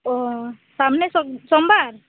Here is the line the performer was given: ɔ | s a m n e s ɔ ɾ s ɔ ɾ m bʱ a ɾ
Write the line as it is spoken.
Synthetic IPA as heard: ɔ | s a m n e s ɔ s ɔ m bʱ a ɾ